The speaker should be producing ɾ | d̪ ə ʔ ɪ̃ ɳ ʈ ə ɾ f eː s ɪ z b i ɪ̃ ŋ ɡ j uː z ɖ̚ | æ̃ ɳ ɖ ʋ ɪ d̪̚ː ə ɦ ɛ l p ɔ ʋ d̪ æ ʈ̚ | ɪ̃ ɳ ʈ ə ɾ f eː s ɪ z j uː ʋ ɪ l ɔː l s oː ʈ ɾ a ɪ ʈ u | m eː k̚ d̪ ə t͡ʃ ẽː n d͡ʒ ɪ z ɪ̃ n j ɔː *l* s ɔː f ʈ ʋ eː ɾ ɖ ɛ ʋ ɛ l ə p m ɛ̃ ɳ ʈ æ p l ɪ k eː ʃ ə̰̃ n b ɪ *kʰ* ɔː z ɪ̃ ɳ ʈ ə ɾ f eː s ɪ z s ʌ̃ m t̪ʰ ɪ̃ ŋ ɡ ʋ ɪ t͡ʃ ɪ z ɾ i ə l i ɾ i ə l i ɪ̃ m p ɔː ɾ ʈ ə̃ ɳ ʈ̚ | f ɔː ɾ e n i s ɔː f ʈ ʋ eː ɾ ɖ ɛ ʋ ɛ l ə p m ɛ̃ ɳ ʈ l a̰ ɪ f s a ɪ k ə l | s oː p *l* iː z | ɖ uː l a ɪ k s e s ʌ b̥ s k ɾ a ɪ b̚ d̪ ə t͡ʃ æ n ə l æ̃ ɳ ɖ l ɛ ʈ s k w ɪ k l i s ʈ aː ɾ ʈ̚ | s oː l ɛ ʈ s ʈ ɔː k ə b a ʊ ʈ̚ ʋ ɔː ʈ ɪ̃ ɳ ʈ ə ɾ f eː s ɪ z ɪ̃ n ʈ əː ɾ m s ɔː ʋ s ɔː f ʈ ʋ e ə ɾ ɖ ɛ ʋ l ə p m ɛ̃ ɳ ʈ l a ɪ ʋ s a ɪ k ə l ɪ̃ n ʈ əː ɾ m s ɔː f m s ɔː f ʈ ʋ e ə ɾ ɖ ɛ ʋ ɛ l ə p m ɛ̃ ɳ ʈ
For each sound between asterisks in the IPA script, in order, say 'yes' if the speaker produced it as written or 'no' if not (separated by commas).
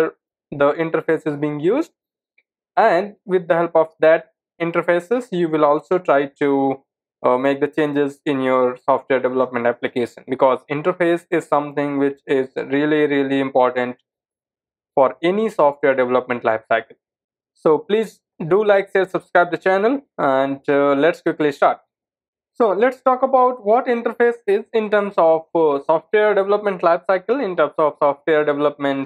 no, no, yes